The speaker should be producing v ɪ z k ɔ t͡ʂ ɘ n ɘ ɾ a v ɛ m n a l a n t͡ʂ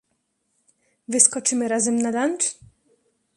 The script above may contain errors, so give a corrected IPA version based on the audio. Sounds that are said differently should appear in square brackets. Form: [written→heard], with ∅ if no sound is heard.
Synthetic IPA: v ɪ [z→s] k ɔ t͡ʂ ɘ [n→m] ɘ ɾ a [v→z] ɛ m n a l a n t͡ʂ